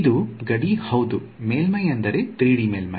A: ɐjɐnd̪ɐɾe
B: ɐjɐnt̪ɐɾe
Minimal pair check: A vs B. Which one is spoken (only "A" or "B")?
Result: A